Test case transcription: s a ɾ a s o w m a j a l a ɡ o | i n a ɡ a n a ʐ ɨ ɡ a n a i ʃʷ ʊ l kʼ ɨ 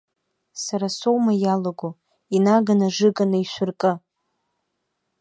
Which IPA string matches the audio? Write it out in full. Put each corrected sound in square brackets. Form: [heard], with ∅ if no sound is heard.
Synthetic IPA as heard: s a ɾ a s o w m a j a l a ɡ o | i n a ɡ a n a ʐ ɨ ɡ a n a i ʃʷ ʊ [r] kʼ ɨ